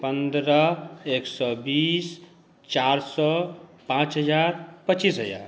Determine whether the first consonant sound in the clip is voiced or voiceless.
voiceless